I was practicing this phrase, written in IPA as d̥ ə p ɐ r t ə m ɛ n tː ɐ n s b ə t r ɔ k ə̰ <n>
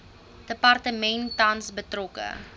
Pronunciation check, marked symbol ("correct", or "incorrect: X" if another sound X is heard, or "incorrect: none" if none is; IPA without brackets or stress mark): incorrect: none